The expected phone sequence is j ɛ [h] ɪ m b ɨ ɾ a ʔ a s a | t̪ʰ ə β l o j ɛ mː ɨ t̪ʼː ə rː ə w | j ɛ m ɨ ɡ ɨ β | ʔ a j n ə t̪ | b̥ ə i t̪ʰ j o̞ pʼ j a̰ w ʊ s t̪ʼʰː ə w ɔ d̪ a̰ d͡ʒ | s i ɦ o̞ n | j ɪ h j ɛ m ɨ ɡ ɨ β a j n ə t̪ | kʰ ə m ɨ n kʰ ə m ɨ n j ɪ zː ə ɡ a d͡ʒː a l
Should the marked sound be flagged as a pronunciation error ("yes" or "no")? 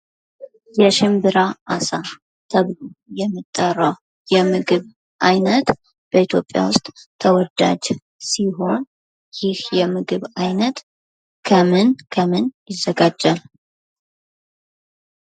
yes